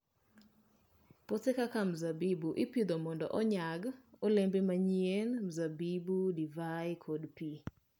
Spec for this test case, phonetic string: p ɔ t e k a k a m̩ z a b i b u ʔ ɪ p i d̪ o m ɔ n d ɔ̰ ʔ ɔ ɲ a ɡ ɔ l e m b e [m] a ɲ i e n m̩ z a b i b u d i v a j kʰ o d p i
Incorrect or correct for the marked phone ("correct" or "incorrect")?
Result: correct